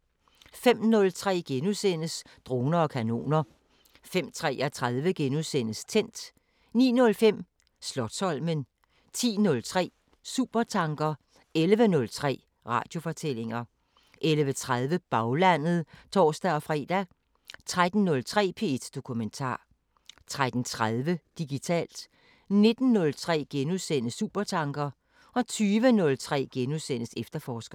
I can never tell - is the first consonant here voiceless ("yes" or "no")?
yes